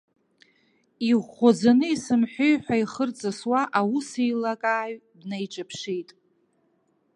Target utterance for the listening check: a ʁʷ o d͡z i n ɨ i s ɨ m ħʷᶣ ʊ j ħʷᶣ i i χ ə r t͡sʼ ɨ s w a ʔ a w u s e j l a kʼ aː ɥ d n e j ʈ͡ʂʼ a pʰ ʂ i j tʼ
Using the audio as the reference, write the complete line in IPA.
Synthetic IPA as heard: i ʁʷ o d͡z a n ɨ i s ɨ m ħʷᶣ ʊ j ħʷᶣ a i χ ə r t͡sʼ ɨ s w a ʔ a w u s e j l a kʼ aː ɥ d n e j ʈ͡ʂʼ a pʰ ʂ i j tʼ